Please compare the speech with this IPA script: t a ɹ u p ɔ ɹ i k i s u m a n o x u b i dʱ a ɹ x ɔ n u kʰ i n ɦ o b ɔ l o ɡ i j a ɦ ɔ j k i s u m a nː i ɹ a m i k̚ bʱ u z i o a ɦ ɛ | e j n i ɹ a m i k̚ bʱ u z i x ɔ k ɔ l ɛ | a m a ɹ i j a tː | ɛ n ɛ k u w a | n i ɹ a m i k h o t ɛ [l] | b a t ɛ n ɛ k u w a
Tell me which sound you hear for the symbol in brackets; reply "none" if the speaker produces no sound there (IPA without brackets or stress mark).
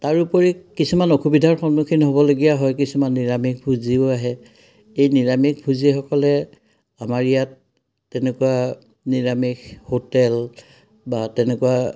l